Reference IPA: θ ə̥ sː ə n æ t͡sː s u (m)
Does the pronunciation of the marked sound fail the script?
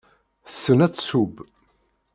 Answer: yes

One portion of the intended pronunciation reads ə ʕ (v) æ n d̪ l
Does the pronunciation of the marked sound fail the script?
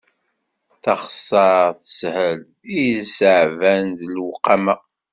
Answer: no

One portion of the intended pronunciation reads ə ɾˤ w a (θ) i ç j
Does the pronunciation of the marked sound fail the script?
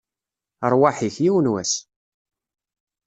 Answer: yes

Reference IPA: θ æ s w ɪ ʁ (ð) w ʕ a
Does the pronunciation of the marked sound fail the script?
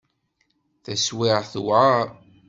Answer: yes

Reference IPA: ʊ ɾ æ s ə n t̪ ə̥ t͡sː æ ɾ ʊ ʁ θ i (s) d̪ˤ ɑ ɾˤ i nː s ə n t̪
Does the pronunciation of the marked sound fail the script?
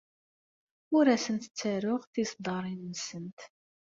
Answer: no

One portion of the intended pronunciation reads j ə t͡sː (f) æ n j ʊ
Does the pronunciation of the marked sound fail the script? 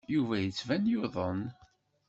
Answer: yes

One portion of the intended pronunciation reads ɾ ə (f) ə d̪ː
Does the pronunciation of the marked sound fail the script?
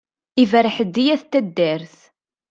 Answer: yes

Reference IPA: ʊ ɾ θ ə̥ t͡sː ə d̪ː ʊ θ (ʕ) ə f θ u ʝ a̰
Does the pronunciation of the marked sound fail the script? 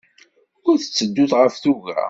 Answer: yes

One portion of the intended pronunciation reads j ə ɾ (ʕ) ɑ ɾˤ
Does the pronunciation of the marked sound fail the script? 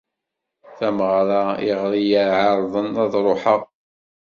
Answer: no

